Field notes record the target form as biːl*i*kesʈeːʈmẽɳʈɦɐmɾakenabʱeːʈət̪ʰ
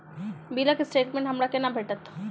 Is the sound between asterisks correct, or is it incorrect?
incorrect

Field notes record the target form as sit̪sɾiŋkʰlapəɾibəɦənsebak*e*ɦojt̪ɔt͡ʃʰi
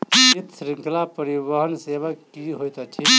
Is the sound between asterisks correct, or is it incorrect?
incorrect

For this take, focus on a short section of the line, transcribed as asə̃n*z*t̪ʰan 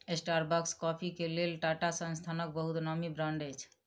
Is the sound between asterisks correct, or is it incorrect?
incorrect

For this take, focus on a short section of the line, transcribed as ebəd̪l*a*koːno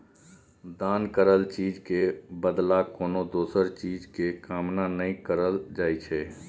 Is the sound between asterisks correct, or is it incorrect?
correct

